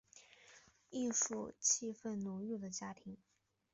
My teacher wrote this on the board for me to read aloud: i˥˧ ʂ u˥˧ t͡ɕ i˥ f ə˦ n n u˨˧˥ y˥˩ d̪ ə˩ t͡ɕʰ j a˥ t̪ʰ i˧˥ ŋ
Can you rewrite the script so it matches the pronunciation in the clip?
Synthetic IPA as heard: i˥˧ ʂ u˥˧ t͡ɕʰ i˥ f ə˥˩ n n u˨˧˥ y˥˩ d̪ ə˩ t͡ɕ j a˥ t̪ʰ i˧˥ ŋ